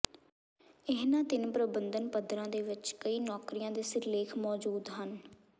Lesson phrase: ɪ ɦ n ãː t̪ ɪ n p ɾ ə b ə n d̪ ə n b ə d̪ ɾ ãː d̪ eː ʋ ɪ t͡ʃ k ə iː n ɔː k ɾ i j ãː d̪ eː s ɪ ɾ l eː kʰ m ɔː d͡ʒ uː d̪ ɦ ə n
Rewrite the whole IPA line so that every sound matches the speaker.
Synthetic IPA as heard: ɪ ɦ n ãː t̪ ɪ n p ɾ ə b ə n d̪ ə n p ə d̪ ɾ ãː d̪ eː ʋ ɪ t͡ʃ k ə iː n ɔː k ɾ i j ãː d̪ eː s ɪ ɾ l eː kʰ m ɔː d͡ʒ uː d̪ ɦ ə n

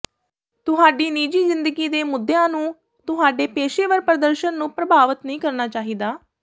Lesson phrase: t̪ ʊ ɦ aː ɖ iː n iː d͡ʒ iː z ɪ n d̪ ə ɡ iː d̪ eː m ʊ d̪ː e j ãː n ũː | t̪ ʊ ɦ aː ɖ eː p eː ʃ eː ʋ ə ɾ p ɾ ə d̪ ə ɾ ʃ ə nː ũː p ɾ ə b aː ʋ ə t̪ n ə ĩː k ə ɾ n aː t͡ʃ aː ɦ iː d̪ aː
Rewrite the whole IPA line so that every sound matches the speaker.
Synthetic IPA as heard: t̪ ʊ ɦ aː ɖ iː n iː d͡ʒ iː z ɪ n d̪ ə ɡ iː d̪ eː m ʊ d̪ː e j ãː n ũː | t̪ ʊ ɦ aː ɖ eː p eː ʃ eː ʋ ə ɾ p ɾ ə d̪ ə ɾ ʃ ə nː ũː p ɾ ə b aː ʋ ə t̪ n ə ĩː k ə ɾ n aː t͡ʃ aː ɦ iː d̪ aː

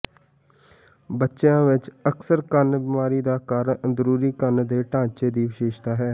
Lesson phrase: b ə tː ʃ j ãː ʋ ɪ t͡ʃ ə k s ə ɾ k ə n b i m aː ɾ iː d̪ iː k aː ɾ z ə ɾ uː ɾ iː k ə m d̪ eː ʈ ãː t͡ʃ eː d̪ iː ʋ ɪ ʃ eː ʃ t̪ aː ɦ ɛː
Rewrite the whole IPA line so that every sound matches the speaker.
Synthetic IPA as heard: b ə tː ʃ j ãː ʋ ɪ t͡ʃ ə k s ə ɾ k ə n b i m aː ɾ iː d̪ aː k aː ɾ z ə ɾ uː ɾ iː k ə n d̪ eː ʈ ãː t͡ʃ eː d̪ iː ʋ ɪ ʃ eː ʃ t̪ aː ɦ ɛː

